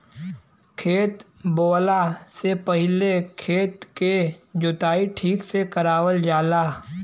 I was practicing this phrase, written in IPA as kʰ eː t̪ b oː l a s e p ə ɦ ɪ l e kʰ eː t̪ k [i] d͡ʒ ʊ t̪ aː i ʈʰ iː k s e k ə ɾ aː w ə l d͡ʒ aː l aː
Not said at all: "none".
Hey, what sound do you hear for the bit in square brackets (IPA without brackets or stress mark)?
e